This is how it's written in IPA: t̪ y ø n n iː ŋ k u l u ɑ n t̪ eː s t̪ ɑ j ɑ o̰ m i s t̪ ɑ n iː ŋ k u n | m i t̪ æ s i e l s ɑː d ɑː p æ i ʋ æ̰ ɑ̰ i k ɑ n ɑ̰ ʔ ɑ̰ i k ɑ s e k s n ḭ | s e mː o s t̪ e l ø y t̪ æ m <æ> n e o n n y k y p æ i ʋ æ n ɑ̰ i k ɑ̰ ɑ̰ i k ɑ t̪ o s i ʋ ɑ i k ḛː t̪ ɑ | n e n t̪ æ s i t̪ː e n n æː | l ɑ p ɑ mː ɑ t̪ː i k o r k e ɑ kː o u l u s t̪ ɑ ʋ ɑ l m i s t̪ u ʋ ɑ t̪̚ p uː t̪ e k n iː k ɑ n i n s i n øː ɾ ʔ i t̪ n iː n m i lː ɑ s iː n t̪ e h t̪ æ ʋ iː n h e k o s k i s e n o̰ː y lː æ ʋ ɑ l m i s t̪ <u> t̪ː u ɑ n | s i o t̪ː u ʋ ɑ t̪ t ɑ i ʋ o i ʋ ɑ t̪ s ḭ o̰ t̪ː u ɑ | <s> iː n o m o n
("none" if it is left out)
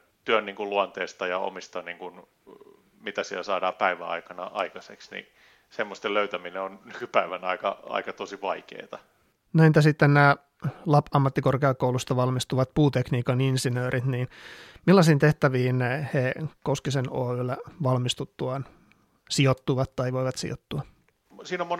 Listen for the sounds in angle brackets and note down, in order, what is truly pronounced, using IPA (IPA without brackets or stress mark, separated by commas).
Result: i, u, s